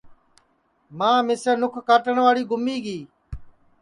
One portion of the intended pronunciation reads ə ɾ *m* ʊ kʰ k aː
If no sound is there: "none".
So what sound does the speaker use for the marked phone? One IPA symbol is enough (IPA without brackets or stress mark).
n